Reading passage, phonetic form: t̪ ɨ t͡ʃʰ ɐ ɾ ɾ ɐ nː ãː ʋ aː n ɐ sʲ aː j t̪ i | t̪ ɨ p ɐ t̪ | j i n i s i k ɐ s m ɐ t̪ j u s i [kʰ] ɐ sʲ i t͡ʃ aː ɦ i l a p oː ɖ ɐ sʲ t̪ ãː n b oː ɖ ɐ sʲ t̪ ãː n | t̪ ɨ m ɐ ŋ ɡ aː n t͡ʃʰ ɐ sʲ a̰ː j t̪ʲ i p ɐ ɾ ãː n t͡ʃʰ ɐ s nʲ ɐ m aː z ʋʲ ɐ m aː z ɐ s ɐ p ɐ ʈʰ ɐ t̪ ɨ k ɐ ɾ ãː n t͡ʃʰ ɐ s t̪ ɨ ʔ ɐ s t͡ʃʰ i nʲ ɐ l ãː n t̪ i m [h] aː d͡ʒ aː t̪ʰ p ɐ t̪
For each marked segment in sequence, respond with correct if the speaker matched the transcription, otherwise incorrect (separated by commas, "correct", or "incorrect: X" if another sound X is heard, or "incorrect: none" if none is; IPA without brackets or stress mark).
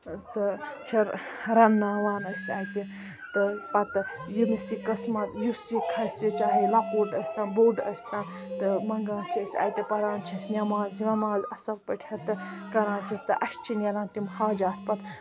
correct, correct